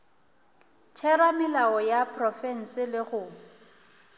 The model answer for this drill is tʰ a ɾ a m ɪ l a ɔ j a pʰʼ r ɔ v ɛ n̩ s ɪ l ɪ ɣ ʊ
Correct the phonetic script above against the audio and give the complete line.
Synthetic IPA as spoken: tʰ ɛ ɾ a m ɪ l a ɔ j a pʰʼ r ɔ f ɛ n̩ s ɪ l ɪ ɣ ʊ

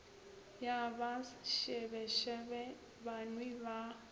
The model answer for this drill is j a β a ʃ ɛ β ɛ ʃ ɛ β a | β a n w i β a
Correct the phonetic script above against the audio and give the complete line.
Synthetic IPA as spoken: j a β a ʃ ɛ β ɛ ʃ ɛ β ɛ | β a n w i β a

